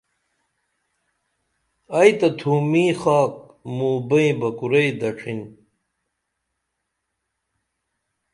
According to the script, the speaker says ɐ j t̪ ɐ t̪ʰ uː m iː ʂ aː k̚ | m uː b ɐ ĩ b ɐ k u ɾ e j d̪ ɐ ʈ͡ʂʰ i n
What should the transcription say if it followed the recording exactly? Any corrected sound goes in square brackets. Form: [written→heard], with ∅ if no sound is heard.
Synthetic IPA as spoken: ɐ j t̪ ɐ t̪ʰ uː m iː [ʂ→x] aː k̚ | m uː b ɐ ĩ b ɐ k u ɾ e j d̪ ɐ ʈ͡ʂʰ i n